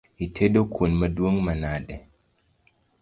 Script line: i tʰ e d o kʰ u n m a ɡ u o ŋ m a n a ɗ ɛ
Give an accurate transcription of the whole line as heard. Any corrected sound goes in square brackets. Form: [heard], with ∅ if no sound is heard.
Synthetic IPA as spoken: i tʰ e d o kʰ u n m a [d] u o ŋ m a n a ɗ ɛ